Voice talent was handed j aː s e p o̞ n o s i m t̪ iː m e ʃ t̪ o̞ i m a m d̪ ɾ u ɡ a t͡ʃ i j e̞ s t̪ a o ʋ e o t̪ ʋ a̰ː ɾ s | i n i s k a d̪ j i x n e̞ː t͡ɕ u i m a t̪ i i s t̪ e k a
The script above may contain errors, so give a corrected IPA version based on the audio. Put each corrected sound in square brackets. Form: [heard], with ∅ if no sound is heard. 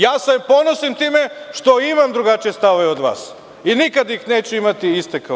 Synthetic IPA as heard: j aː s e p o̞ n o s i m t̪ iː m e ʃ t̪ o̞ i m a m d̪ ɾ u ɡ a t͡ʃ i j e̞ s t̪ a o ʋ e o [d̪] ʋ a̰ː [∅] s | i n i [∅] k a d̪ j i x n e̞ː t͡ɕ u i m a t̪ i i s t̪ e k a